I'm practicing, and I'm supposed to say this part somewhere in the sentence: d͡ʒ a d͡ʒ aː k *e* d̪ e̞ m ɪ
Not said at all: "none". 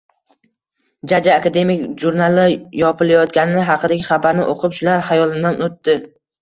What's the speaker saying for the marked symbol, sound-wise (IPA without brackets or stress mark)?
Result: a